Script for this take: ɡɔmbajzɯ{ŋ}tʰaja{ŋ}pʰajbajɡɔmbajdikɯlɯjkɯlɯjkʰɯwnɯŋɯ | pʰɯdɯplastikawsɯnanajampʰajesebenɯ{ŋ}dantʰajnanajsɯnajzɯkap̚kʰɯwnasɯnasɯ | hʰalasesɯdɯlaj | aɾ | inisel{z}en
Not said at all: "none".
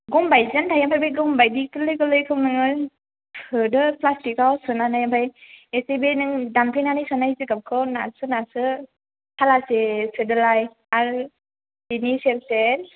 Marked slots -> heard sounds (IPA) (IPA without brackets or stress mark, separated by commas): n, m, ŋ, s